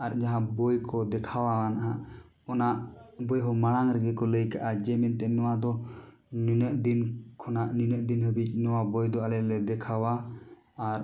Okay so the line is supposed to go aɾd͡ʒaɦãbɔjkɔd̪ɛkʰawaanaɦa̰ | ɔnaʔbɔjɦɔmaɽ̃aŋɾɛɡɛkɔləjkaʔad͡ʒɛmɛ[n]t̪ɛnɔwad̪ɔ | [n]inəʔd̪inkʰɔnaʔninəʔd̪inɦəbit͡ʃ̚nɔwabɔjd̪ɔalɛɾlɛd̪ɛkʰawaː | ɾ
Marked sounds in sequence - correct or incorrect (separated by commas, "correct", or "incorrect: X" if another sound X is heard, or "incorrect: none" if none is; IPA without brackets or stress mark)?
correct, correct